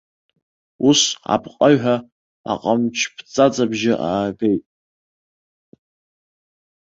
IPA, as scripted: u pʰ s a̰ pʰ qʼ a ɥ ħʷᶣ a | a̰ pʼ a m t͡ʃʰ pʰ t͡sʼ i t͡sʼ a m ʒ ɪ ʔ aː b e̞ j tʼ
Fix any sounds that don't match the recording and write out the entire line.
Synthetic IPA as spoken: u s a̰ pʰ qʼ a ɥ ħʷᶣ a | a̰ qʼ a m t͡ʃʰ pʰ t͡sʼ a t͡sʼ a b ʒ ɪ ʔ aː b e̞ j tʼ